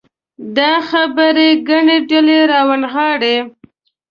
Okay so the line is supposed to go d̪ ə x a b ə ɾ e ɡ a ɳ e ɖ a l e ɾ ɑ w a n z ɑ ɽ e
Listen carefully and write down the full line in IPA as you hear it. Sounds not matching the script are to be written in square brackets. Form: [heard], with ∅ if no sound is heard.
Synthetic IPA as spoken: d̪ [ɑ] x a b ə ɾ e ɡ a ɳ e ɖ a l e ɾ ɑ w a n [ɣ] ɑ ɽ e